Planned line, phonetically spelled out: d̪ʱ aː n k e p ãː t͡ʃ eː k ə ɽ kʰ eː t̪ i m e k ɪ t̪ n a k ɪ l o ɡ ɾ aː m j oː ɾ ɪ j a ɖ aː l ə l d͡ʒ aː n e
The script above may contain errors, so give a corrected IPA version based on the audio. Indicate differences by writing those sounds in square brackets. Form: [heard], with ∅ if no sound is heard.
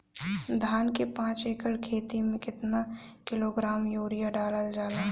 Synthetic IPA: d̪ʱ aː n k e p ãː t͡ʃ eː k ə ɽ kʰ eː t̪ i m [ẽ] k ɪ t̪ n a k ɪ l o ɡ ɾ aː m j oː ɾ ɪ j a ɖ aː l ə l d͡ʒ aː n [a]